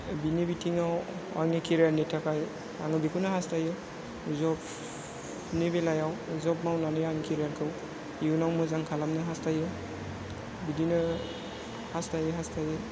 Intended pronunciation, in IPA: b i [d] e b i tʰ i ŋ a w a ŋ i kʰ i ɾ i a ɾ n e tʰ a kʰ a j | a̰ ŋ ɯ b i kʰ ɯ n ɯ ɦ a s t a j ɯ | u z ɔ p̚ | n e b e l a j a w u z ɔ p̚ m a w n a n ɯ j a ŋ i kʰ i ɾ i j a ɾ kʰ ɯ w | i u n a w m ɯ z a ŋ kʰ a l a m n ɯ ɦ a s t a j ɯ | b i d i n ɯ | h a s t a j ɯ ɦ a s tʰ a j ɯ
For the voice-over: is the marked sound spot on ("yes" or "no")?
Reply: no